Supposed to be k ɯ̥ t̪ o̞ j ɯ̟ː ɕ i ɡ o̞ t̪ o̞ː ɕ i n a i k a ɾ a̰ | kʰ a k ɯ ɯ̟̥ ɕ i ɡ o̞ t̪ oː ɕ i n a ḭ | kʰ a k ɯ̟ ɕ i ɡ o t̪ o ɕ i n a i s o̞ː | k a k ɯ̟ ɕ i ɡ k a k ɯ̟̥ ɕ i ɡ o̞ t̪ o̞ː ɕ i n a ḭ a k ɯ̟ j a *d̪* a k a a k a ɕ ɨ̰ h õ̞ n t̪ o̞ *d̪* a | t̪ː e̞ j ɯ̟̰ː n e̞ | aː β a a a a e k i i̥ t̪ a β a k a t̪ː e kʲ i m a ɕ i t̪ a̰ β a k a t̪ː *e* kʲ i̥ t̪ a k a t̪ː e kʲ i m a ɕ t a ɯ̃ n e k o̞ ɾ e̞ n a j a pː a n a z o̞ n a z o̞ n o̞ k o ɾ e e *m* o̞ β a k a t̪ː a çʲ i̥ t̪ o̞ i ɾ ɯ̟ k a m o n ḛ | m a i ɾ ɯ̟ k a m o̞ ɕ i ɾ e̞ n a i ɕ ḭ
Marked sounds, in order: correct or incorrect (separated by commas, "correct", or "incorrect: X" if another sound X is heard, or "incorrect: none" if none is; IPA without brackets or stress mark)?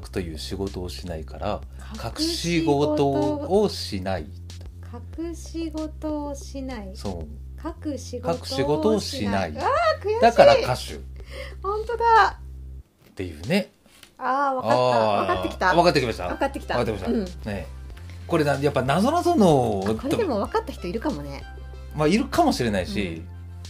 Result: correct, correct, correct, correct